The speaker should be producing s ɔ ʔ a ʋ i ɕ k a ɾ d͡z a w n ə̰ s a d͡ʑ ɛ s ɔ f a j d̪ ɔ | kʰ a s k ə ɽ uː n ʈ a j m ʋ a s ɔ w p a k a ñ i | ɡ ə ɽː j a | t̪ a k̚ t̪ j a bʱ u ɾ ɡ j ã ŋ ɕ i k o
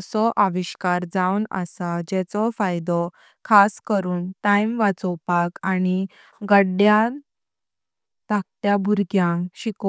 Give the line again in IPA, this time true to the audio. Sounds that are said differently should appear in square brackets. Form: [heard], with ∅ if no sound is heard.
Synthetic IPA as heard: s ɔ ʔ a ʋ i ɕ k a ɾ d͡z a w n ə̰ s a d͡ʑ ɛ [t͡s] ɔ f a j d̪ ɔ | kʰ a s k ə [ɾ] uː n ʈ a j m ʋ a [t͡s] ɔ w p a k a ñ i | ɡ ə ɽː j a | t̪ a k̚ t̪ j a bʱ u ɾ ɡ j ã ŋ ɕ i k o